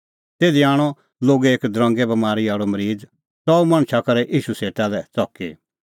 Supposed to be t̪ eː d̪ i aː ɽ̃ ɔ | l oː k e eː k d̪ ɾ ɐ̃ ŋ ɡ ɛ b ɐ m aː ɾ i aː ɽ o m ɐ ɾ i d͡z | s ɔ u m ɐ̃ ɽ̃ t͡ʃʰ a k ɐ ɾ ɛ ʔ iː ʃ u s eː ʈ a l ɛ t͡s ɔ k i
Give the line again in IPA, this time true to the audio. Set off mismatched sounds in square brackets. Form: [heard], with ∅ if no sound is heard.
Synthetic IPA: t̪ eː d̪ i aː ɽ̃ ɔ | l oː [ɡ] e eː k d̪ ɾ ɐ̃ ŋ ɡ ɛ b ɐ m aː ɾ i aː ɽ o m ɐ ɾ [iː] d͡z | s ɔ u m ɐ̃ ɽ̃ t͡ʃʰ a k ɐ ɾ ɛ ʔ iː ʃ u s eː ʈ a l ɛ t͡s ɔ k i